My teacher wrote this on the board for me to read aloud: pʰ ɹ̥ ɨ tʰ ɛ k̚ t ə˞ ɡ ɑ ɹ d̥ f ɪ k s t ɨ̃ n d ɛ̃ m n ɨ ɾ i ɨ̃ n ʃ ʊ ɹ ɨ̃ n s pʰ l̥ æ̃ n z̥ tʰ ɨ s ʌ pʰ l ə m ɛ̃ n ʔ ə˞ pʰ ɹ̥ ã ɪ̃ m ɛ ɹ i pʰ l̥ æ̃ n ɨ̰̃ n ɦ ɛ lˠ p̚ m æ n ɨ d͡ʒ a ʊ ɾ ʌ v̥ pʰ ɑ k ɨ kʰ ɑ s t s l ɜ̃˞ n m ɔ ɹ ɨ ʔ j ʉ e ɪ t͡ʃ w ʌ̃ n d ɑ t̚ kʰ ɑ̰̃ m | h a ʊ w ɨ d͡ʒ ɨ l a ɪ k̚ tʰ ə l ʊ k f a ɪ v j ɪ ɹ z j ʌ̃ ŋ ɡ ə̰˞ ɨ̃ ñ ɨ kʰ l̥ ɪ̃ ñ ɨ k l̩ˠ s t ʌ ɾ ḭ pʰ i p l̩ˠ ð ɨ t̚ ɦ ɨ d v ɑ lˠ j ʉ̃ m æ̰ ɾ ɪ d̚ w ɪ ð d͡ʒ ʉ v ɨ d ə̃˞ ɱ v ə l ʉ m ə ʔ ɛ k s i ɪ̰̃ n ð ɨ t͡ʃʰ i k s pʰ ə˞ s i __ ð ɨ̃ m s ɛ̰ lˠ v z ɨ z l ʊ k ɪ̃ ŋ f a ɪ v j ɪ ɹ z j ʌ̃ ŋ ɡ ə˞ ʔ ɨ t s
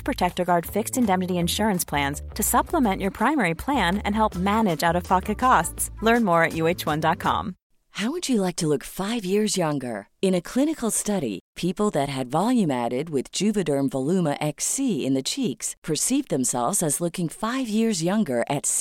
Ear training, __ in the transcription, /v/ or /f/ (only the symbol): v